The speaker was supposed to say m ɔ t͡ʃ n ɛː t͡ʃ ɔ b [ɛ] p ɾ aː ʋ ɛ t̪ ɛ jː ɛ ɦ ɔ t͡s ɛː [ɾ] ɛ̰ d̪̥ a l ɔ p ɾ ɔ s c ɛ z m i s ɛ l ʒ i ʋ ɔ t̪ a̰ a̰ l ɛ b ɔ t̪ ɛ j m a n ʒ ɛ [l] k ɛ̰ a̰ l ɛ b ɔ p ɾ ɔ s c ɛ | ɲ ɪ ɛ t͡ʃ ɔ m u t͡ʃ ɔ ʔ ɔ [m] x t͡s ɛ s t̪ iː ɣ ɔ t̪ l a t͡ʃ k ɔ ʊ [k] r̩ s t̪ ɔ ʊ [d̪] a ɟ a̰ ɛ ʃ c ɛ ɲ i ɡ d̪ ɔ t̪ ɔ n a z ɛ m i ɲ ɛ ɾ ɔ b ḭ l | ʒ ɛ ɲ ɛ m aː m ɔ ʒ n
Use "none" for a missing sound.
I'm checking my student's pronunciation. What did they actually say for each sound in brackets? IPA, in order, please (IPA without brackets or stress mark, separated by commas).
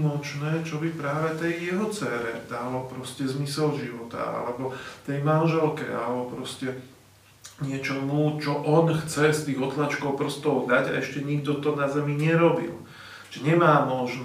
i, ɾ, l, n, p, d̪